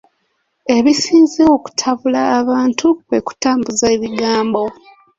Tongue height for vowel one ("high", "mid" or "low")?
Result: mid